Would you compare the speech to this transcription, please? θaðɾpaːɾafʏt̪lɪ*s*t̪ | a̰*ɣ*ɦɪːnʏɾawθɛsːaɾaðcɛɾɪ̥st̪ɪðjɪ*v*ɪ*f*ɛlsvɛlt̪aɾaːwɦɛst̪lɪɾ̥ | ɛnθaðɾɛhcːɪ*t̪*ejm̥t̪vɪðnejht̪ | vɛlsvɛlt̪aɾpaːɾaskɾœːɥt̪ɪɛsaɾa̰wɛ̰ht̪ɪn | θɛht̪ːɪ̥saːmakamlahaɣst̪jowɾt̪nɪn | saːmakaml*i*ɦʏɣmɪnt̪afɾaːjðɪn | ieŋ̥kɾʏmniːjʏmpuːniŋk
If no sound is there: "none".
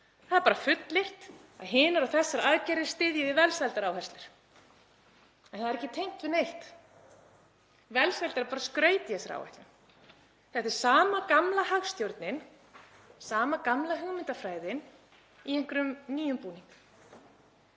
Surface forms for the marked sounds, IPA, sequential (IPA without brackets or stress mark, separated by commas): h, ð, ð, v, t̪ʰ, a